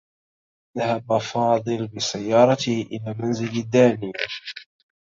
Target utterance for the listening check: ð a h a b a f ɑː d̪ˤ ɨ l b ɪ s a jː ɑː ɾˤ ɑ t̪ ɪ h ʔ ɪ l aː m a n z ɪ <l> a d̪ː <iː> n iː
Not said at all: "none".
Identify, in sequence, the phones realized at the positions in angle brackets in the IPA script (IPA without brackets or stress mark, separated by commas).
l, aː